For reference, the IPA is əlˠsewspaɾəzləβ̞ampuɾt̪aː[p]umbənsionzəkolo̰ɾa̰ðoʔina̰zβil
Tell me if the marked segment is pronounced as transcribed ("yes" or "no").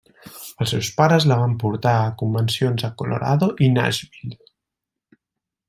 no